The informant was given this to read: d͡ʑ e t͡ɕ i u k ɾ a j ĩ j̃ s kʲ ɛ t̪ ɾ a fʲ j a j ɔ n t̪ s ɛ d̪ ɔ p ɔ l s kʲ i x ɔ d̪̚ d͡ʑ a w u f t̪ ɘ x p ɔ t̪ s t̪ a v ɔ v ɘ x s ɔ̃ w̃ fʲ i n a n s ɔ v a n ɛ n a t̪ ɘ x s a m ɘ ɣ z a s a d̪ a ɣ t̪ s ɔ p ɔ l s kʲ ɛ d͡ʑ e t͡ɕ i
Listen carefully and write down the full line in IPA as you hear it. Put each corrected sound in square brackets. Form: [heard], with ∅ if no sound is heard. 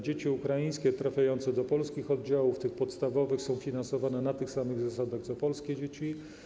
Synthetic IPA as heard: d͡ʑ e t͡ɕ i u k ɾ a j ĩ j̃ s kʲ ɛ t̪ ɾ a fʲ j a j ɔ n t̪ s ɛ d̪ ɔ p ɔ l s kʲ i x ɔ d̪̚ d͡ʑ a w u f t̪ ɘ x p ɔ t̪ s t̪ a v ɔ v ɘ x s ɔ̃ w̃ fʲ i n a n s ɔ v a n ɛ n a t̪ ɘ x s a m ɘ ɣ z a s a d̪ a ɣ t̪ s ɔ p ɔ l s kʲ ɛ d͡ʑ e t͡ɕ i